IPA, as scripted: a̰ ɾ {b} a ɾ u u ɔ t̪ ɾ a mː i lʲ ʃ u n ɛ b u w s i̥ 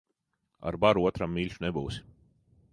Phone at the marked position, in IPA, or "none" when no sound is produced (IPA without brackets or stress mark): b